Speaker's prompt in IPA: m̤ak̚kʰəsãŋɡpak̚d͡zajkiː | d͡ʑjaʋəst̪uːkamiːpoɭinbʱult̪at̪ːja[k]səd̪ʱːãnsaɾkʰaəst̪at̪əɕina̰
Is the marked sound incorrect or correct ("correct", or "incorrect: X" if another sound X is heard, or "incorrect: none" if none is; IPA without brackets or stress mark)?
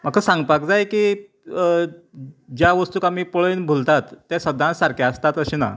incorrect: none